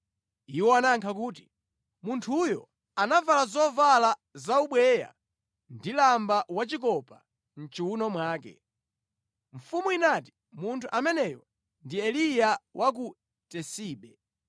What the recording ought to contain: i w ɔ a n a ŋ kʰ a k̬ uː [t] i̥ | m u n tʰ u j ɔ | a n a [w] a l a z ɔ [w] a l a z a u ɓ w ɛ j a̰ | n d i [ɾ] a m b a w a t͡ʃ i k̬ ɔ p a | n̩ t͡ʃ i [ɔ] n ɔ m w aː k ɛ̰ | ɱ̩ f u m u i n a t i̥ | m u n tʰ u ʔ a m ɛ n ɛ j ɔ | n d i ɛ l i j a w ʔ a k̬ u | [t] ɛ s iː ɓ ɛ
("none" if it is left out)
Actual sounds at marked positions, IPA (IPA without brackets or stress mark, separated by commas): t, v, v, l, u, t